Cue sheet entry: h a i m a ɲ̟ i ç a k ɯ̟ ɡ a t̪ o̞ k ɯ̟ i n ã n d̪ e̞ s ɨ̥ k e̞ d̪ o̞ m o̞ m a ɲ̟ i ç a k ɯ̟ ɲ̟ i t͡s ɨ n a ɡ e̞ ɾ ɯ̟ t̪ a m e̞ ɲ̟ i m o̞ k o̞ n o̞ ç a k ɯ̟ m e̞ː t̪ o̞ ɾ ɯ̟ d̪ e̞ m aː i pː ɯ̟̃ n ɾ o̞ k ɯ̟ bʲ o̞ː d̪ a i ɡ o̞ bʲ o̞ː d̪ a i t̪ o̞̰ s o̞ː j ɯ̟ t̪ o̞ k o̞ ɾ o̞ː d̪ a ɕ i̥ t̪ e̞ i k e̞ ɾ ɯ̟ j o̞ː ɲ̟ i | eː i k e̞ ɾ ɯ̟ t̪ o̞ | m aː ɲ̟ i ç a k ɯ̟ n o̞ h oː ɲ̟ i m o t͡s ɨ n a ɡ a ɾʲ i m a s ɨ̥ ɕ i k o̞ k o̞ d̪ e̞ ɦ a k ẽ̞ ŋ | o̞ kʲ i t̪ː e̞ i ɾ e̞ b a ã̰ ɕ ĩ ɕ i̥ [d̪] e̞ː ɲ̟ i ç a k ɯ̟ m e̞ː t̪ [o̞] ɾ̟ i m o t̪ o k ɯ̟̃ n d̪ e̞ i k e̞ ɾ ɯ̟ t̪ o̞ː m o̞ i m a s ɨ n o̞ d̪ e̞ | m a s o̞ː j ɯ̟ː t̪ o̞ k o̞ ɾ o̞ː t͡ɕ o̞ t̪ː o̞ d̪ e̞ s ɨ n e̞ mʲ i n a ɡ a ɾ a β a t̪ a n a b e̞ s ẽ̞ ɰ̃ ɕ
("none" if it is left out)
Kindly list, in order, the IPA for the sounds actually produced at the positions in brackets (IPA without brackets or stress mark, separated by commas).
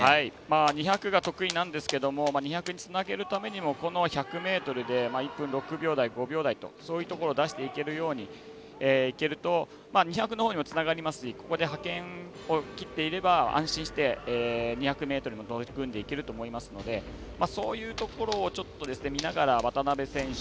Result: t̪, o̞